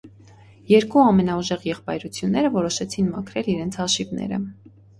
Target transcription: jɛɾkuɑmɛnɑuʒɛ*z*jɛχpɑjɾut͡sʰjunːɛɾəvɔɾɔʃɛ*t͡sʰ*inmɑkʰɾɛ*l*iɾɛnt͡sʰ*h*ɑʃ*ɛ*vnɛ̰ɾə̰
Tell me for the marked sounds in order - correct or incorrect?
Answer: incorrect: ʁ, correct, correct, correct, incorrect: i

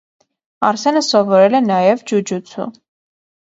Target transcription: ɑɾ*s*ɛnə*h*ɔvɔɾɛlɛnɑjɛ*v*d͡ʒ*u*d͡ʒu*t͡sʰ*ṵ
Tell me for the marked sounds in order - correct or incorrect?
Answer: correct, incorrect: s, correct, correct, correct

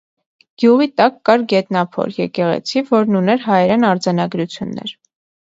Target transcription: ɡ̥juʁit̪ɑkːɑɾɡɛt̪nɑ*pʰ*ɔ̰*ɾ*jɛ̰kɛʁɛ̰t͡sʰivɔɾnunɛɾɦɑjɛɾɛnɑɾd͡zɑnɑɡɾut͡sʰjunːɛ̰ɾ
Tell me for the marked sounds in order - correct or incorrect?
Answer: correct, correct

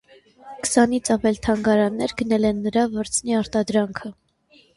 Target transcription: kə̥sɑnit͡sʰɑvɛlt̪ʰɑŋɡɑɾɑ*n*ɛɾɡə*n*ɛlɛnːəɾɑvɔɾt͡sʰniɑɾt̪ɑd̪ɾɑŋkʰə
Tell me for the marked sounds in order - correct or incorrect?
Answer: incorrect: nː, correct

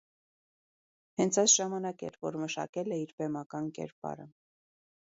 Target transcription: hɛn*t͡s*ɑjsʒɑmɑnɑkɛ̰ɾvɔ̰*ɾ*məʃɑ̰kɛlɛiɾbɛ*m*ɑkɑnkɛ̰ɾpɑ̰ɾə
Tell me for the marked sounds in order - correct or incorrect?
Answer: incorrect: t͡sʰ, correct, correct

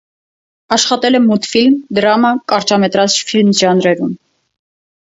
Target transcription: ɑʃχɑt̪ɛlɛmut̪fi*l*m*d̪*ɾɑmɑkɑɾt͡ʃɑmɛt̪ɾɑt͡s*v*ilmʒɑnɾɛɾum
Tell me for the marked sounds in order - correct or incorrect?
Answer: correct, correct, incorrect: f

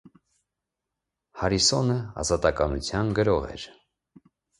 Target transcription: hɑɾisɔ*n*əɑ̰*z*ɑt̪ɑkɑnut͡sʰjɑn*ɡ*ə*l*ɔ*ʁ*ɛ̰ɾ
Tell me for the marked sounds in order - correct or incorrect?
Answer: correct, correct, correct, incorrect: ɾ, correct

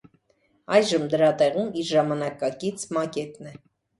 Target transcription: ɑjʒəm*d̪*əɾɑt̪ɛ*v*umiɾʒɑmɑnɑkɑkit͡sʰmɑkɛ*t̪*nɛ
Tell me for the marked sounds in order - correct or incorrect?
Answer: correct, incorrect: ʁ, correct

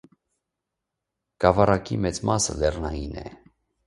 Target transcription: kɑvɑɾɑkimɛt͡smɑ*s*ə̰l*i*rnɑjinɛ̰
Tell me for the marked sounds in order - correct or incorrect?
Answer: correct, incorrect: ɛ

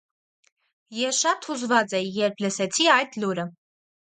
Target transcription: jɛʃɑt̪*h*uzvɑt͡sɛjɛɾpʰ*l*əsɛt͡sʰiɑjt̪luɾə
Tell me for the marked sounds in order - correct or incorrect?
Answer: correct, correct

